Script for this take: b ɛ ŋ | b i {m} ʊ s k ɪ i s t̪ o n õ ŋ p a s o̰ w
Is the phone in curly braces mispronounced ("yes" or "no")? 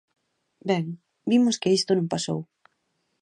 no